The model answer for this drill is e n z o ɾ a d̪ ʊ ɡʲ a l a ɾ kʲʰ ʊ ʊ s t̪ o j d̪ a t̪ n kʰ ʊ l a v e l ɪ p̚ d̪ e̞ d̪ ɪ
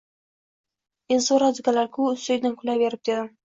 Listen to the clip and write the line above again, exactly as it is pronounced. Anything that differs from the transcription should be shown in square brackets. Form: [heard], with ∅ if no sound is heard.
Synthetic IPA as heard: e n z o ɾ a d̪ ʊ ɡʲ a l a ɾ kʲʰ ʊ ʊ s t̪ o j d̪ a [∅] n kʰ ʊ l a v e [ɾ] ɪ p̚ d̪ e̞ d̪ ɪ